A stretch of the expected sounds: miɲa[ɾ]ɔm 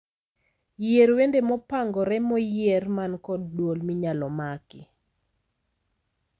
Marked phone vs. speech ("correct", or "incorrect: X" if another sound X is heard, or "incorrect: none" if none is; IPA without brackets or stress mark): incorrect: l